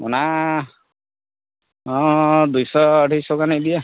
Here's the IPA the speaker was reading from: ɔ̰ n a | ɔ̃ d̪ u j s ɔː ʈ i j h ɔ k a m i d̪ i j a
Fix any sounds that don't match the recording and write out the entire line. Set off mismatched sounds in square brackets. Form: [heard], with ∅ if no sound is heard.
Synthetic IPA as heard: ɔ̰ n a | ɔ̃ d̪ u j s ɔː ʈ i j [s] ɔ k a [n] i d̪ i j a